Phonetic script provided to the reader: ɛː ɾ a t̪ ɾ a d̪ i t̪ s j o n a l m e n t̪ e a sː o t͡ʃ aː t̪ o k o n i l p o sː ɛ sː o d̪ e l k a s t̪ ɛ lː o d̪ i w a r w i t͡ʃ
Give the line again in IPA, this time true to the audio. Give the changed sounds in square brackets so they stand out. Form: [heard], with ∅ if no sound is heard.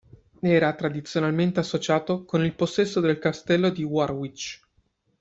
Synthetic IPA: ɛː ɾ a t̪ ɾ a d̪ i t̪ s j o n a l m e n t̪ e a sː o t͡ʃ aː t̪ o k o n i l p o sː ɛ sː o d̪ e l k a s t̪ ɛ lː o d̪ i w a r w i t͡ʃ